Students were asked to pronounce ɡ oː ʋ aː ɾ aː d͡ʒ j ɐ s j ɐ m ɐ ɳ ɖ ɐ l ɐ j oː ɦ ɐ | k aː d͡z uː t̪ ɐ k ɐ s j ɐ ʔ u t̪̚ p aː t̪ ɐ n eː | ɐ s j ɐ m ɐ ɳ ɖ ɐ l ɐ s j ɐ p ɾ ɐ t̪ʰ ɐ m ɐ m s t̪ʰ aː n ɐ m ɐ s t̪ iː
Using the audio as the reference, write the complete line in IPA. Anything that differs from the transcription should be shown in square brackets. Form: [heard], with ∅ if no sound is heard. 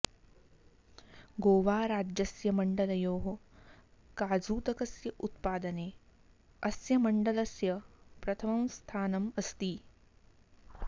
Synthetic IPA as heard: ɡ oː ʋ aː ɾ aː d͡ʒ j ɐ s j ɐ m ɐ ɳ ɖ ɐ l ɐ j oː ɦ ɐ | k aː d͡z uː t̪ ɐ k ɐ s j ɐ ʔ u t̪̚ p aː [d̪] ɐ n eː | ɐ s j ɐ m ɐ ɳ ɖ ɐ l ɐ s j ɐ p ɾ ɐ t̪ʰ ɐ m ɐ m s t̪ʰ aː n ɐ m ɐ s t̪ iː